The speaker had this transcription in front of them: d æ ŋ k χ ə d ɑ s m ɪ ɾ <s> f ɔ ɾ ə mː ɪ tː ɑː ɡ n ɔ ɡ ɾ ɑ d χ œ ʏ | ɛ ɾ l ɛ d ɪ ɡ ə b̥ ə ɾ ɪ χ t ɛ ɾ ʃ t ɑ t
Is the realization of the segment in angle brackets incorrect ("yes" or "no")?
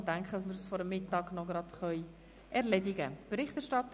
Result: no